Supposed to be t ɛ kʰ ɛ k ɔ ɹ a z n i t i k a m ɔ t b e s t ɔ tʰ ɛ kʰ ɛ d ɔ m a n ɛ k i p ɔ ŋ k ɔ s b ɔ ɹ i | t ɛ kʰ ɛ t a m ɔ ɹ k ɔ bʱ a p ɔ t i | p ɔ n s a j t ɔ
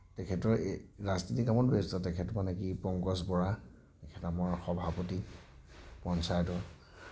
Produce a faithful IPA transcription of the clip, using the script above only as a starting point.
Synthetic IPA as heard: t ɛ kʰ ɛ t ɔ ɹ a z n i t i k a m ɔ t b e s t ɔ t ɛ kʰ ɛ t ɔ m a n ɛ k i p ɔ ŋ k ɔ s b ɔ ɹ a | t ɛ kʰ ɛ t a m ɔ ɹ x ɔ bʱ a p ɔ t i | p ɔ n s a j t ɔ